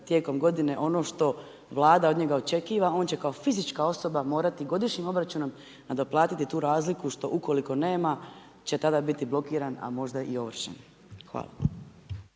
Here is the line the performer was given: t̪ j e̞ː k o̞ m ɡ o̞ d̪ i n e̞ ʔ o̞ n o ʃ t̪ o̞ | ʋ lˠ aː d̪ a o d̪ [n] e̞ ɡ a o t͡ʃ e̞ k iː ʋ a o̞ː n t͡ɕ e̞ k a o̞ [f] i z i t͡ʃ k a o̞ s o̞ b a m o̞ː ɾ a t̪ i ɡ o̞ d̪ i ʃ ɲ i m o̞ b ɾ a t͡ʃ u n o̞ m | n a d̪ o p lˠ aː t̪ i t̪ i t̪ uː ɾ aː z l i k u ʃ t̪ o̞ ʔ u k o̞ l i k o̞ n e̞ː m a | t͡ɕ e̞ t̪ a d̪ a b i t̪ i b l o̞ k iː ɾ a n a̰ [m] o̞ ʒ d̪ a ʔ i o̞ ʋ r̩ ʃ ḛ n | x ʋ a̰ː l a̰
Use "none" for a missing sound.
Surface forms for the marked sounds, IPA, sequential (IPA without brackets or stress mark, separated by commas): ɲ, f, m